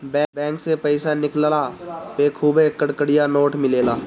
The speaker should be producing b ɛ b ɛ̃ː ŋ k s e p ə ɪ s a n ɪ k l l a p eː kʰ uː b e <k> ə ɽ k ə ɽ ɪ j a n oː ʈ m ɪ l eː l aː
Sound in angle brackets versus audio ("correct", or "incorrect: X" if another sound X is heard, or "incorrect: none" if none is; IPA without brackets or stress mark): correct